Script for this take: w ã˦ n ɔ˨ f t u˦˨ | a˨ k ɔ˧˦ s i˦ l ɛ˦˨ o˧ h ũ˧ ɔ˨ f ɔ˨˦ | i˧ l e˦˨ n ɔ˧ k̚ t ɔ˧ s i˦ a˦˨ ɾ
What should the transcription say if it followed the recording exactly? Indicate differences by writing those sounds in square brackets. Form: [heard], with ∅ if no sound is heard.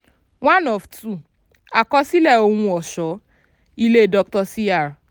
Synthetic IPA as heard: w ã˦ n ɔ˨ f t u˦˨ | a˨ k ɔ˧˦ s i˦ l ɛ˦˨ o˧ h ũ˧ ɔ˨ [ʃ] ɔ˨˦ | i˧ l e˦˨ [d] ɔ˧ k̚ t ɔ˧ s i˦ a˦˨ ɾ